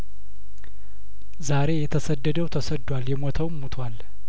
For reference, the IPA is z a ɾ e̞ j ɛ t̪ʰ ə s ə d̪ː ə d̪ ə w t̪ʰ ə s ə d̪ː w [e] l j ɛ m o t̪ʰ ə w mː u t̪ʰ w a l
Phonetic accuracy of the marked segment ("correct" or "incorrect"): incorrect